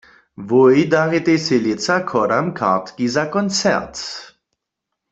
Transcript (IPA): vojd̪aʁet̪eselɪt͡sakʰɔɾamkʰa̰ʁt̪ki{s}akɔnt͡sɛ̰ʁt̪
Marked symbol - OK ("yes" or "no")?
no